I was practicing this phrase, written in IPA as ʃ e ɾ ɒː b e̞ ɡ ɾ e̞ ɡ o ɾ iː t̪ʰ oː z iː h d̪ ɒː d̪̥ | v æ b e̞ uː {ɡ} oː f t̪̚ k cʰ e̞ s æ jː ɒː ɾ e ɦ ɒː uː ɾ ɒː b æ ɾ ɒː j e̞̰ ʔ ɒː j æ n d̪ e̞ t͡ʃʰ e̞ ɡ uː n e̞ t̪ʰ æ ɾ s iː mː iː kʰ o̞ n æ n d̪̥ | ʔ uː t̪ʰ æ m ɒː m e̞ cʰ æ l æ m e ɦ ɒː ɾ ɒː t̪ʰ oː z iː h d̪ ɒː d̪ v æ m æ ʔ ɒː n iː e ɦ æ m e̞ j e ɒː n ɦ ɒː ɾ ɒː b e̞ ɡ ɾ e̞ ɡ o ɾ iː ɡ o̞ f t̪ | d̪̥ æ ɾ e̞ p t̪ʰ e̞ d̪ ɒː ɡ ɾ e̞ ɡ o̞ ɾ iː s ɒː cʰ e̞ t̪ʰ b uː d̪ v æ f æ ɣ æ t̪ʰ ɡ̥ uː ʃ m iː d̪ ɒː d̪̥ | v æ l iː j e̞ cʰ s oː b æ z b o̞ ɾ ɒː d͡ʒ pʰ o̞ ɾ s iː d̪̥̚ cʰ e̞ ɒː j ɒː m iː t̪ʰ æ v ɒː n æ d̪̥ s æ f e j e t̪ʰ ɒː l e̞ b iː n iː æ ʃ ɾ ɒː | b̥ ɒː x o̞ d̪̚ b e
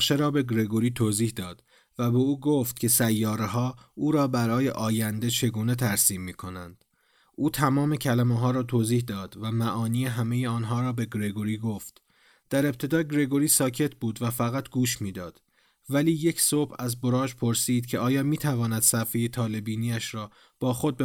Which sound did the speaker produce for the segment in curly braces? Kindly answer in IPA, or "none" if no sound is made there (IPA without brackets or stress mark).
ɡ